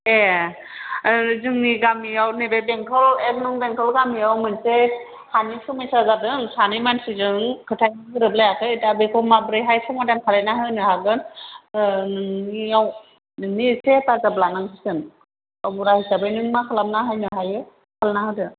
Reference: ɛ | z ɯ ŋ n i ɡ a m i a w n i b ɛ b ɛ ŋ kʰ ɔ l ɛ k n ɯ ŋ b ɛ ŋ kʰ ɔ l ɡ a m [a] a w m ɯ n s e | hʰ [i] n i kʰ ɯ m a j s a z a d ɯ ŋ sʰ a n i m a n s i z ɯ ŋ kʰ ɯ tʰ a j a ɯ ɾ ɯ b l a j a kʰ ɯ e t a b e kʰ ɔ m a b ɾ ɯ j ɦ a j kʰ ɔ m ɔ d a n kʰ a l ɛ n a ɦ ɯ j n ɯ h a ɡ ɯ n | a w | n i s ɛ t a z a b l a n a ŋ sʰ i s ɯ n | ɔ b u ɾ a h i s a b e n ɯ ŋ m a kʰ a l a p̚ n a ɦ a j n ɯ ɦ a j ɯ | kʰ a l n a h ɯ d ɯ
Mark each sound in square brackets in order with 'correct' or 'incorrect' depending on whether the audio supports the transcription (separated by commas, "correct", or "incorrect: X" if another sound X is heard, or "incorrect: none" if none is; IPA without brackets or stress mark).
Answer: incorrect: i, incorrect: a